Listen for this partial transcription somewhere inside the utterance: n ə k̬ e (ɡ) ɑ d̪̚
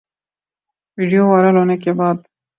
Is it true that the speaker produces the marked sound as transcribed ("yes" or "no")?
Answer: no